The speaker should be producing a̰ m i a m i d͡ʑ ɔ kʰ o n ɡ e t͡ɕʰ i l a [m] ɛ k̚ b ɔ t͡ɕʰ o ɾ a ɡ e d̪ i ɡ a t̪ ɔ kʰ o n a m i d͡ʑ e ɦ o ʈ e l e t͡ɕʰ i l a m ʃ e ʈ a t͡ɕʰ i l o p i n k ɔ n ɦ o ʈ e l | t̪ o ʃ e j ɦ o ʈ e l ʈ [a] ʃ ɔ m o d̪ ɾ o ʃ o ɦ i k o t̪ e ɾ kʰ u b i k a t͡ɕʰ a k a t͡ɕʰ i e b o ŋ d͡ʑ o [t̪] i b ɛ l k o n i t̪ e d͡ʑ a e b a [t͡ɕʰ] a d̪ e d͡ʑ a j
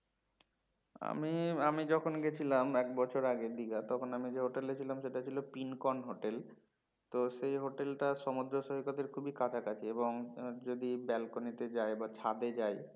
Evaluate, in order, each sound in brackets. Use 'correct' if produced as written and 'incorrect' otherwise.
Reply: correct, correct, incorrect, correct

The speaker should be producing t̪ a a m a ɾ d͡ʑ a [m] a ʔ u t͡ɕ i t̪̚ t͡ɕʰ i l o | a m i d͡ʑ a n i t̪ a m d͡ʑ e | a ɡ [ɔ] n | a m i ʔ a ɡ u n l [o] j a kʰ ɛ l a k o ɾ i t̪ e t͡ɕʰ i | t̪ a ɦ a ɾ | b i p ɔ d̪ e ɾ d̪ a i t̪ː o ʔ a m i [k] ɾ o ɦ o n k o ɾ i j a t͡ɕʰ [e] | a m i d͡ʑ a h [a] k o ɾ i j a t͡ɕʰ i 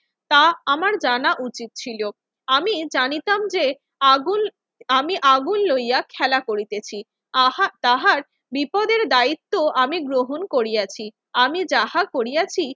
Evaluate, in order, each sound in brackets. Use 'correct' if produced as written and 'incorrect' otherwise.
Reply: incorrect, incorrect, correct, incorrect, incorrect, correct

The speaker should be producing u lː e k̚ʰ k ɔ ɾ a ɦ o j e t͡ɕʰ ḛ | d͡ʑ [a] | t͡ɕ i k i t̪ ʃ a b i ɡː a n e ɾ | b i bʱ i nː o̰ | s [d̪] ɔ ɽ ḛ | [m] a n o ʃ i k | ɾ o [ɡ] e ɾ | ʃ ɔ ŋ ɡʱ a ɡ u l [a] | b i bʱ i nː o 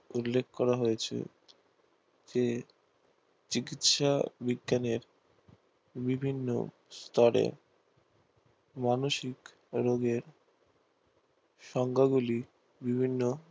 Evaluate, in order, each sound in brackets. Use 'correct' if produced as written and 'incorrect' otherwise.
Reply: incorrect, incorrect, correct, correct, incorrect

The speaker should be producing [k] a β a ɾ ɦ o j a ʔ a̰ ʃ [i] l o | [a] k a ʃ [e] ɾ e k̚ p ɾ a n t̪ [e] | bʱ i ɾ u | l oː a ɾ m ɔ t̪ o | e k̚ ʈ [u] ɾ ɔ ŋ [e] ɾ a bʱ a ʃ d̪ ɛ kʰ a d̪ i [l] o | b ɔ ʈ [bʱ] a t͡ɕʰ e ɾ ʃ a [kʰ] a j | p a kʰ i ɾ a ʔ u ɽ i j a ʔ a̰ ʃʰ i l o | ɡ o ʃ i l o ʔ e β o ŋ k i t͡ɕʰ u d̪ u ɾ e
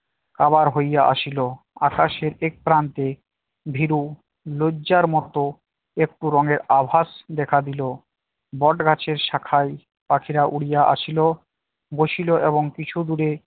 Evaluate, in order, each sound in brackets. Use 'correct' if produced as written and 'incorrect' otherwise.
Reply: correct, correct, correct, correct, correct, correct, correct, correct, incorrect, correct

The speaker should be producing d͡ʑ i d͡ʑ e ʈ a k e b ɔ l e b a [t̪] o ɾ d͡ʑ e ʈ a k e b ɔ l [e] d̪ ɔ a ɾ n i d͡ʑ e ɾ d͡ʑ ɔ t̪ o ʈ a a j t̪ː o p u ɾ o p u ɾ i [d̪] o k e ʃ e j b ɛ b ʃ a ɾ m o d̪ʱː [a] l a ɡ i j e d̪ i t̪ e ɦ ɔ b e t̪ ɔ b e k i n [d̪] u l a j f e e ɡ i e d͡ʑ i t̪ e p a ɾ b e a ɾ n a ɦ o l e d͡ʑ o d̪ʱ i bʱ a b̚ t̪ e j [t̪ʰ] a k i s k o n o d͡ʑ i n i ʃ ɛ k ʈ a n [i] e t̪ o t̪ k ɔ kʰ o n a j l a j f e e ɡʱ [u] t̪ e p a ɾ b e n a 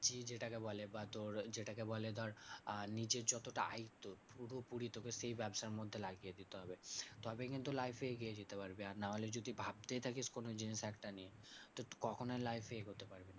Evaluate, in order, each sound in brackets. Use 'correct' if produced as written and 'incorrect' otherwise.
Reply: correct, correct, incorrect, incorrect, incorrect, correct, correct, incorrect

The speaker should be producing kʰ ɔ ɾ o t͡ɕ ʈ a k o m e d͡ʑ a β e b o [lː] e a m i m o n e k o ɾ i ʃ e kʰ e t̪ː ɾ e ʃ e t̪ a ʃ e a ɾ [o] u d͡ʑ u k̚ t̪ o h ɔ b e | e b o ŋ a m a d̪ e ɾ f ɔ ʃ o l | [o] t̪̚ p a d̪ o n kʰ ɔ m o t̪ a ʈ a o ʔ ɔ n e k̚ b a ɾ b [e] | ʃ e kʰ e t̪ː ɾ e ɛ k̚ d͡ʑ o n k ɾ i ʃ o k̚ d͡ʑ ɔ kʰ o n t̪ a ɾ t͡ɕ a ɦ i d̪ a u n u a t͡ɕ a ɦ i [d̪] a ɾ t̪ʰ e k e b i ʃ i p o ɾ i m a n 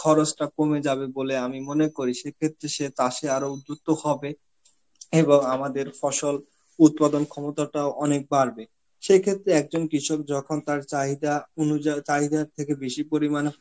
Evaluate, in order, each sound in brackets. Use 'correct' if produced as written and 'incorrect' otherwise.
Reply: incorrect, correct, incorrect, correct, correct

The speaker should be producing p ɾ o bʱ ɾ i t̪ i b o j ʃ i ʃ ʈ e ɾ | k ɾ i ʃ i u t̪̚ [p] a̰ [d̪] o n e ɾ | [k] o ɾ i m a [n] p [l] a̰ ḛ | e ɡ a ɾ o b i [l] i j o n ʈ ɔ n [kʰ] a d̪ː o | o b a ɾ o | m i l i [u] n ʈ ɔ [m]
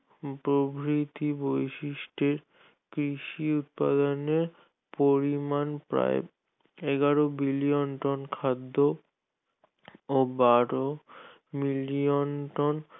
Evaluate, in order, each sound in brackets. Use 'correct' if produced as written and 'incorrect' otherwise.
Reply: correct, correct, incorrect, correct, incorrect, correct, correct, incorrect, incorrect

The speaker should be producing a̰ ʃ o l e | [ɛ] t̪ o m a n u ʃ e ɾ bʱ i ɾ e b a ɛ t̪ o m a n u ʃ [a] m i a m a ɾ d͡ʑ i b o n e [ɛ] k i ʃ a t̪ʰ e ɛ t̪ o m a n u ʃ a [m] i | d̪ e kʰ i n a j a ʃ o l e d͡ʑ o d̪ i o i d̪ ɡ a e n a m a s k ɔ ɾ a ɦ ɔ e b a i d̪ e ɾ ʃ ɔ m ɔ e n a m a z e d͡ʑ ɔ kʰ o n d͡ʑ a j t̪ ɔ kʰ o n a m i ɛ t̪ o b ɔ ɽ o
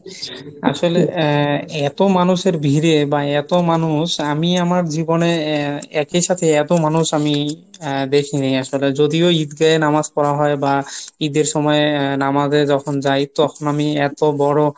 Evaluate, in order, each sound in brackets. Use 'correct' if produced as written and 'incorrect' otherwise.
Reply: correct, correct, correct, correct

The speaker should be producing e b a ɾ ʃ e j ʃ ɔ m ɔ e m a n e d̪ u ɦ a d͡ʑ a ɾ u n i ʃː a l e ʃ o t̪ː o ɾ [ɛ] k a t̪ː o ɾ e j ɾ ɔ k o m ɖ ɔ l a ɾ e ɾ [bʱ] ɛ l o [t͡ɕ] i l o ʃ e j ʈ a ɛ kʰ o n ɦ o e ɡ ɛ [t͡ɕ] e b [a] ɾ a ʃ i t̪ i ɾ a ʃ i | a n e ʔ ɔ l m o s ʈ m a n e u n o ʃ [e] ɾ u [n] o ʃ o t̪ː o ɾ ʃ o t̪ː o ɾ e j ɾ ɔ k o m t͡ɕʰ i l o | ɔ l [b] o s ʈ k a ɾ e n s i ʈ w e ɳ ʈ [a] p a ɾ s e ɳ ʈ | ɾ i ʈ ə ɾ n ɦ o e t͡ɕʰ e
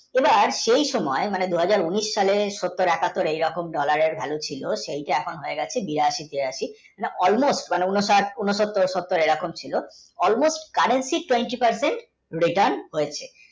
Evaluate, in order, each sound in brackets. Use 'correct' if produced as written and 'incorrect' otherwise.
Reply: correct, correct, incorrect, incorrect, incorrect, incorrect, correct, incorrect, incorrect

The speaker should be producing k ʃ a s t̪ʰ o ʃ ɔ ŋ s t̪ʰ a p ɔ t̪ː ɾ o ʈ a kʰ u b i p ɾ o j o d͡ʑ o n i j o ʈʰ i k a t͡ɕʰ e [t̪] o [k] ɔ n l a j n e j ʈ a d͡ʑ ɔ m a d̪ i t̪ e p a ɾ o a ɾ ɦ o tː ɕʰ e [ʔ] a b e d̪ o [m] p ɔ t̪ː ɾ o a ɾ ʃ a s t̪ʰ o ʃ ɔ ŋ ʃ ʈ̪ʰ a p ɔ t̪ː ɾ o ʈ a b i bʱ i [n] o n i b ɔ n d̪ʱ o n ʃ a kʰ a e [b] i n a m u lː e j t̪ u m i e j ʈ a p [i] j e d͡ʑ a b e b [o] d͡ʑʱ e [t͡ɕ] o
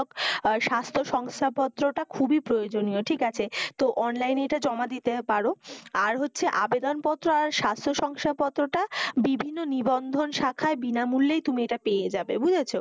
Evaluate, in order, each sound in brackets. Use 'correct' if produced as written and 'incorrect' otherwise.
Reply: correct, incorrect, correct, incorrect, incorrect, correct, incorrect, incorrect, incorrect

